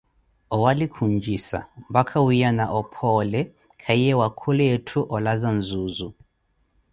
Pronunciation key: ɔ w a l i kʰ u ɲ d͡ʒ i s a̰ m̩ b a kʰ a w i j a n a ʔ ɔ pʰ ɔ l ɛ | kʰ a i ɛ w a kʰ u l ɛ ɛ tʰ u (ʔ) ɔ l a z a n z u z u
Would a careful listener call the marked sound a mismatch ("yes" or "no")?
no